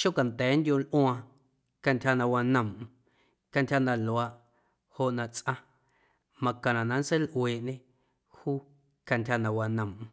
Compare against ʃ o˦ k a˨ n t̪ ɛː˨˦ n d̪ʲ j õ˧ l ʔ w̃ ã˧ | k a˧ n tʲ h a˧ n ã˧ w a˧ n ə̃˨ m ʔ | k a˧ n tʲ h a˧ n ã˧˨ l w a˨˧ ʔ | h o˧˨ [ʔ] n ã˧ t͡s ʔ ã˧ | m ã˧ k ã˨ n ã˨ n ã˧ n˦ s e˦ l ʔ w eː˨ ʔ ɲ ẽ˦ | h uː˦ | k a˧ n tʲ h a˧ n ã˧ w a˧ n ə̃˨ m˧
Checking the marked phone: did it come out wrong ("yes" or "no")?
no